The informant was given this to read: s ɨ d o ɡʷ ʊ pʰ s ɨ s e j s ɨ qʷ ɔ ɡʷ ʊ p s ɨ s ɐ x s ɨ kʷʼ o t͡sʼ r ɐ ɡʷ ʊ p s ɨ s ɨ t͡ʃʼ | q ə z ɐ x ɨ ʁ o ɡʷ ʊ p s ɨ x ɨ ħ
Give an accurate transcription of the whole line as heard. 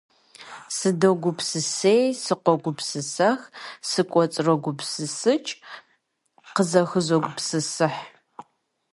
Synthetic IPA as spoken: s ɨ d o ɡʷ ʊ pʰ s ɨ s e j s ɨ qʷ ɔ ɡʷ ʊ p s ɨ s ɐ x s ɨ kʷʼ ɔ t͡sʼ r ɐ ɡʷ ʊ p s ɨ s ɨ t͡ʃʼ | q ə z ɐ x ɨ z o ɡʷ ʊ p s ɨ s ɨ ħ